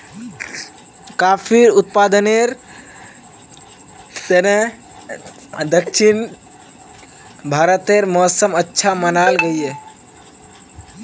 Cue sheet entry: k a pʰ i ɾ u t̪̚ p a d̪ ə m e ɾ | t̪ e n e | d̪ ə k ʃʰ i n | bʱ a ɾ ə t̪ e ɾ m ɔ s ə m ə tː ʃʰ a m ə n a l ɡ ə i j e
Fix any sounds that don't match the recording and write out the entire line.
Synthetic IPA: k a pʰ i ɾ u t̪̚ p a d̪ ə n e ɾ | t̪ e n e | d̪ ə k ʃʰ i n | bʱ a ɾ ə t̪ e ɾ m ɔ s ə m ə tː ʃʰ a m ə n a l ɡ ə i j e